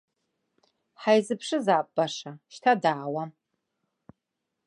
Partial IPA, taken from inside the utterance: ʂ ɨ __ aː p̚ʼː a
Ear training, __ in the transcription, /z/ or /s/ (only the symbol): z